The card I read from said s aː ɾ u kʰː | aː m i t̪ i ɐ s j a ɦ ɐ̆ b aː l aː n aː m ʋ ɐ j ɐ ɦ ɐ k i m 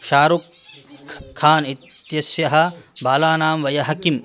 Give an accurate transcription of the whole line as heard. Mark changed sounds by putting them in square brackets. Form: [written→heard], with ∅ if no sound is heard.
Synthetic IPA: [s→ʃ] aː ɾ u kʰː | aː [m→n] i t̪ [i→j] ɐ s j [a→ɐ] ɦ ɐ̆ b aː l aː n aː m ʋ ɐ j ɐ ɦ ɐ k i m